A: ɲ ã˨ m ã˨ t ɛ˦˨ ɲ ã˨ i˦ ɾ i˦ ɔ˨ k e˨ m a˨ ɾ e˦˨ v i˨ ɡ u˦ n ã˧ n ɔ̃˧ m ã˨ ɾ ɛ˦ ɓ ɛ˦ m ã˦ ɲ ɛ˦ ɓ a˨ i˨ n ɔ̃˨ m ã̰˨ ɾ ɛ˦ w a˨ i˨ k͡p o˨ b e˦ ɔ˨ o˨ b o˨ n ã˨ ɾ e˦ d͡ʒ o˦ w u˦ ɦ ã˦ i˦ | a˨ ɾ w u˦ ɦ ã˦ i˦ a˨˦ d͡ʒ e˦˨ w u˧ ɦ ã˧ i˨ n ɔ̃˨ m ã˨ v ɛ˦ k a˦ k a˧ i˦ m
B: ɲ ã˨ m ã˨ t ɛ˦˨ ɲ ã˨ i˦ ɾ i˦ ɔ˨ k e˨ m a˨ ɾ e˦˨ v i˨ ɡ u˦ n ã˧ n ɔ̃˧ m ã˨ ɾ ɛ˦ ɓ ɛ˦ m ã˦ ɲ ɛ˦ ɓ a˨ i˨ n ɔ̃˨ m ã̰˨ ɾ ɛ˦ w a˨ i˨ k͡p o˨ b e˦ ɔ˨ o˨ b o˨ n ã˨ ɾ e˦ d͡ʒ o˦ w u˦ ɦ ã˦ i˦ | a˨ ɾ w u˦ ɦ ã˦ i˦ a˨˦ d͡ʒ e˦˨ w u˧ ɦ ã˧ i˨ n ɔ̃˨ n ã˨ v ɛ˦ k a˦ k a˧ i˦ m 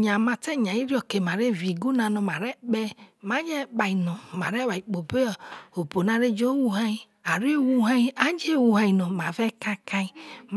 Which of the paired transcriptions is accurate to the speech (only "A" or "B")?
A